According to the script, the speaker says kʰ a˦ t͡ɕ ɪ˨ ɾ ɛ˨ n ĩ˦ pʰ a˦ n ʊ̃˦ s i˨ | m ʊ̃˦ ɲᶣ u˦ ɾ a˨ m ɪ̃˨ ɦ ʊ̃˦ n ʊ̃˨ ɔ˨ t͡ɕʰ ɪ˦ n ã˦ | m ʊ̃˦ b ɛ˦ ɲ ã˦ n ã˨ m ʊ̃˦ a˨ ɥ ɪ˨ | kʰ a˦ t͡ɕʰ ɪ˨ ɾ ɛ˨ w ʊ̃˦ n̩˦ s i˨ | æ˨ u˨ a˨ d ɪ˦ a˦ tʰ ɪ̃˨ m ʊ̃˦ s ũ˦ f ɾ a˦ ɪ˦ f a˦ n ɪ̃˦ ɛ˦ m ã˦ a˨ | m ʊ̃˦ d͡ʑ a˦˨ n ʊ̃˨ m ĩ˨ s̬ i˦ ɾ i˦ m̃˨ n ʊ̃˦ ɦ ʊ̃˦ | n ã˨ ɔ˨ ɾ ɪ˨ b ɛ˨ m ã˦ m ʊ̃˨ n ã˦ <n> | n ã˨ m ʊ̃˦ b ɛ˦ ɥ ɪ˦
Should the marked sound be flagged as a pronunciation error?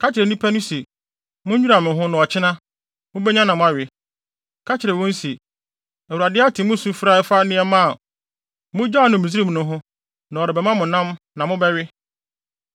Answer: yes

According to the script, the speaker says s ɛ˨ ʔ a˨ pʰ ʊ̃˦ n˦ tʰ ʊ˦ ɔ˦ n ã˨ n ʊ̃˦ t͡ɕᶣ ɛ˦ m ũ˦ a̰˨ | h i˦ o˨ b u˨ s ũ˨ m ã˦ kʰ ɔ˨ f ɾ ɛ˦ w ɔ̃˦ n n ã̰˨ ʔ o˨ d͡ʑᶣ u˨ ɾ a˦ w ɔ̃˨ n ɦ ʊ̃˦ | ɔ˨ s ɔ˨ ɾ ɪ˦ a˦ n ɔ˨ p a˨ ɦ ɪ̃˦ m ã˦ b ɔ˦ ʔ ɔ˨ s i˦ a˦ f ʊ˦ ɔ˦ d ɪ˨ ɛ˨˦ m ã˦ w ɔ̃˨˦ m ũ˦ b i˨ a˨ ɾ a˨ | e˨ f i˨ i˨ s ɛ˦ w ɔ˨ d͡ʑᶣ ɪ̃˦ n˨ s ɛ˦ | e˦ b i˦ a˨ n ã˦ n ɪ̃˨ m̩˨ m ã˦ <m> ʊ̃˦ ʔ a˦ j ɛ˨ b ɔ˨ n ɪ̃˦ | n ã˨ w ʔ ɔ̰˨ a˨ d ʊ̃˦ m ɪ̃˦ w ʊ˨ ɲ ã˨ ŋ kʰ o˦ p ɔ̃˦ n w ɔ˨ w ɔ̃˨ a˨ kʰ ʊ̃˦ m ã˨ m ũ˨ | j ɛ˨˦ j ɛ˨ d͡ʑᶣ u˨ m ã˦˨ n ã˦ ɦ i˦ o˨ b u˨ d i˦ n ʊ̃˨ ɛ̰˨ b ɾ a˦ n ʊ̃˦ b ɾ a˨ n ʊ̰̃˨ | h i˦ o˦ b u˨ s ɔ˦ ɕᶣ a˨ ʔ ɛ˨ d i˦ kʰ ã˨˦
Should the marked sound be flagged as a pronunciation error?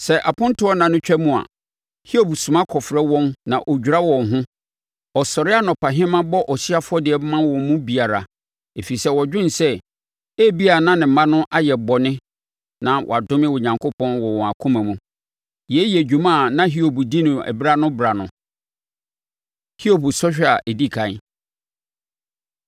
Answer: yes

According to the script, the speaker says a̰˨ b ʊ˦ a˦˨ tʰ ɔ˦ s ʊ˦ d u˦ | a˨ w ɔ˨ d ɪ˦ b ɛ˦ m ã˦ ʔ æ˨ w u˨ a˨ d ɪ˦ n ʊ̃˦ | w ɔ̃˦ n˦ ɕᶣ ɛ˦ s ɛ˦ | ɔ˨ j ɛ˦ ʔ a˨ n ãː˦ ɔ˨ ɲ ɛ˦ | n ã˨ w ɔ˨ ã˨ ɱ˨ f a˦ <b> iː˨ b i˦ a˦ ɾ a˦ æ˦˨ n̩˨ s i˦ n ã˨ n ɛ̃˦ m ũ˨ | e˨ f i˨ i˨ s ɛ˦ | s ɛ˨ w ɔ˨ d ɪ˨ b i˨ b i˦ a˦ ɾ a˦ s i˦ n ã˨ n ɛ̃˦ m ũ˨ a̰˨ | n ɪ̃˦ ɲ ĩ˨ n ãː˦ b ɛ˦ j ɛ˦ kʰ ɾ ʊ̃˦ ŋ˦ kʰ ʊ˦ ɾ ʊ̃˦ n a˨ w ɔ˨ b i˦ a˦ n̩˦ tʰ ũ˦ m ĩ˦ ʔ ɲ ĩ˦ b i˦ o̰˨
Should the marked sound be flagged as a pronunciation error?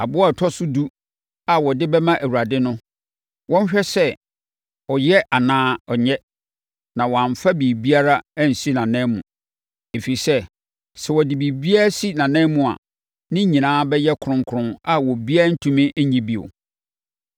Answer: no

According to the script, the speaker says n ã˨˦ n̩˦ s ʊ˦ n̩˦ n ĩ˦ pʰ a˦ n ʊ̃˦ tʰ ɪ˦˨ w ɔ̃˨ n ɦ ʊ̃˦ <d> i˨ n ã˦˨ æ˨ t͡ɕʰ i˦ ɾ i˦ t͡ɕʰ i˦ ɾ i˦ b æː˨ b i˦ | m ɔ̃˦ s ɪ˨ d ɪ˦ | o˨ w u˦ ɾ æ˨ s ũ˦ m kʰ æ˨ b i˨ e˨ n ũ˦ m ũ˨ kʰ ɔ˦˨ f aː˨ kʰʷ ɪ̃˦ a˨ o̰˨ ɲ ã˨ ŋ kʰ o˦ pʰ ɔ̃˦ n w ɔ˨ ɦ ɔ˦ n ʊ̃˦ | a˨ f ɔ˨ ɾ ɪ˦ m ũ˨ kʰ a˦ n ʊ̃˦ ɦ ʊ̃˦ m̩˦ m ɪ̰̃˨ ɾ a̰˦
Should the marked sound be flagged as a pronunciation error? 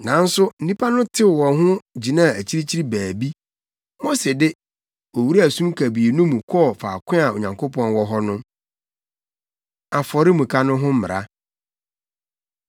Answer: yes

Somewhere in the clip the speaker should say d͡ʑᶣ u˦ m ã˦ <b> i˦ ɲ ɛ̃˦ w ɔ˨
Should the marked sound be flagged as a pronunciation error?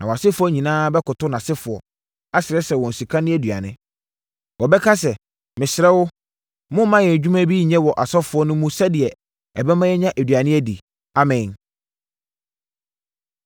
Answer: no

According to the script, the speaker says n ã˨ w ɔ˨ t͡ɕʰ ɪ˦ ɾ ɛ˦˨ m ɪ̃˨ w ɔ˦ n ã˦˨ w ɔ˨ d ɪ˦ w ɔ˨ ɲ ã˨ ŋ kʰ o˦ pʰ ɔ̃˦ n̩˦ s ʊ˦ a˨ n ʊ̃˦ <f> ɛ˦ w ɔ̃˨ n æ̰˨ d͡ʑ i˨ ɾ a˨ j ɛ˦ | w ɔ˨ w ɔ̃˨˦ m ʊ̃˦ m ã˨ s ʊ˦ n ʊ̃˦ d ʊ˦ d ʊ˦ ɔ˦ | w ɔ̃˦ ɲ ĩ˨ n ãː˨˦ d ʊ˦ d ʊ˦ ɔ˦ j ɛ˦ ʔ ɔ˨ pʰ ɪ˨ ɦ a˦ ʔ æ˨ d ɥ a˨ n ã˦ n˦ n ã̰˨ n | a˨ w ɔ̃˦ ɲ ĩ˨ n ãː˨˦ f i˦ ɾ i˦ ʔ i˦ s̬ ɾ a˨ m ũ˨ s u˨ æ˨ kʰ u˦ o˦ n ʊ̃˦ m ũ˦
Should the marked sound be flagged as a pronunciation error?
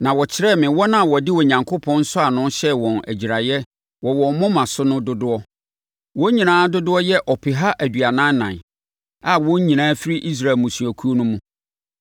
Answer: yes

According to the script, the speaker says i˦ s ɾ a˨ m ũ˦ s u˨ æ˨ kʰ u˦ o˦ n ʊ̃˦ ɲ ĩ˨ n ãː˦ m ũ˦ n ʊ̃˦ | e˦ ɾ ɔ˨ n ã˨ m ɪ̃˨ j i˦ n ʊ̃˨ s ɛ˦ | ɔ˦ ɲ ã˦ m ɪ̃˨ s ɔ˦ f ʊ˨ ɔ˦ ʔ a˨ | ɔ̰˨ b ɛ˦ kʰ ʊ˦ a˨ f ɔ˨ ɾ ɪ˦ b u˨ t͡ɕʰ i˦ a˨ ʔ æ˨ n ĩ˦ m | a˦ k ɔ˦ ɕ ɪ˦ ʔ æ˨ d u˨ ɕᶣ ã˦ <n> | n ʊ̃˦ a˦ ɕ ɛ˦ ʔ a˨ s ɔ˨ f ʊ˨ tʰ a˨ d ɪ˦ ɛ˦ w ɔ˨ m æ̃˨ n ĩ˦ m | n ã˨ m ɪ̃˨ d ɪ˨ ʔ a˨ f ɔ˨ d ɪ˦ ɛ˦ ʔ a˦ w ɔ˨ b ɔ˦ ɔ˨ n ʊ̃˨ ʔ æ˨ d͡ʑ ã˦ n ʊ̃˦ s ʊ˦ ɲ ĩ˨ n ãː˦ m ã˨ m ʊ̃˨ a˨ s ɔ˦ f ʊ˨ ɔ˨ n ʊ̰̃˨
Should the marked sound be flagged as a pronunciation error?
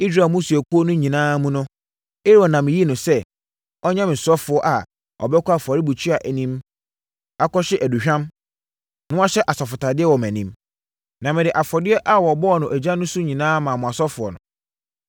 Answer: yes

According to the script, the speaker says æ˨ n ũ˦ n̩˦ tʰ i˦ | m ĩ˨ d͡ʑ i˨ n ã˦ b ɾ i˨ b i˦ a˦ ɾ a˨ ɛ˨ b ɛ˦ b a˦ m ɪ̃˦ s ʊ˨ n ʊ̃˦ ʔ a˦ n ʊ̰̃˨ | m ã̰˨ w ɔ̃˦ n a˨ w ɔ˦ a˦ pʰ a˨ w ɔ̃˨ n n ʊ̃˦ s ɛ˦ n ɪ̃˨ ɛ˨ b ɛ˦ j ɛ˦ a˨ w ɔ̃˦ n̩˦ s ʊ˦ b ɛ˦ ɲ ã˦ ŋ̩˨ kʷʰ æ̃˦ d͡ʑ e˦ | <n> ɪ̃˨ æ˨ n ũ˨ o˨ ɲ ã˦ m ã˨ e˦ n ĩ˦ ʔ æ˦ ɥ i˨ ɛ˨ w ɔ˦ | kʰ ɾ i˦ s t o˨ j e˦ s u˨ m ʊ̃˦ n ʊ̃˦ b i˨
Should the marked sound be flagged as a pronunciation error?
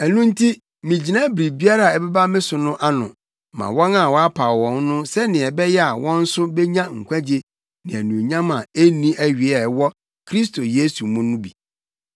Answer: no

